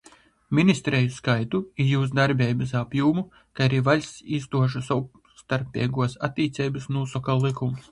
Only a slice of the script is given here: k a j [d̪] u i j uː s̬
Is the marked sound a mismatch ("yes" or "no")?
yes